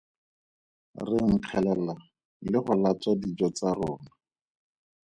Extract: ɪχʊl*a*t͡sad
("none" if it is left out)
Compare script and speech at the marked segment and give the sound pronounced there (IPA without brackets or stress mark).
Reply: a